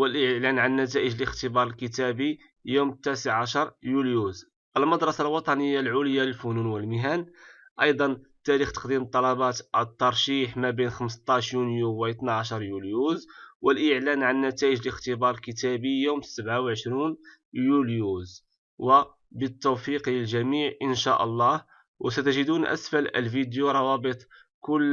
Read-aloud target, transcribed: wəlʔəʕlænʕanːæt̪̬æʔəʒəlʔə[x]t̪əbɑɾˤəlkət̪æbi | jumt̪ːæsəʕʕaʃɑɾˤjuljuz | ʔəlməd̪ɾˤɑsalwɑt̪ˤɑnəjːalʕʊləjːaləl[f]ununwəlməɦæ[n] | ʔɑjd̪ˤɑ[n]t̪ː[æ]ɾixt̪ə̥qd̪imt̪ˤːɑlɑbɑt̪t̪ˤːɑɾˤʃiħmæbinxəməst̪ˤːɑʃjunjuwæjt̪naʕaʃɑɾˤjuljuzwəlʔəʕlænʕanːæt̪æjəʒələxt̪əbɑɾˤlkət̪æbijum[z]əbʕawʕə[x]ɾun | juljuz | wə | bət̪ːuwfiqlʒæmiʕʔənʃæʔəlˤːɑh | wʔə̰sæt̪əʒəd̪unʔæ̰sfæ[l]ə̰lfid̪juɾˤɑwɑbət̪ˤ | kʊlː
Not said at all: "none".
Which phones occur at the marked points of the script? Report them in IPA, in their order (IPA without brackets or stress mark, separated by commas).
x, f, n, n, æ, s, ʃ, l